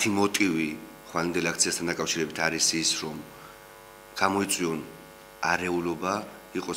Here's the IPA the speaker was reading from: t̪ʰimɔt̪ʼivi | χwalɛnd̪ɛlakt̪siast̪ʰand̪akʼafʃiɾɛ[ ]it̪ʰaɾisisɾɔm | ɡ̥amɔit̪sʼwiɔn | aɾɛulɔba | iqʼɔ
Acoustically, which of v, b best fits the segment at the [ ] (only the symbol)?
b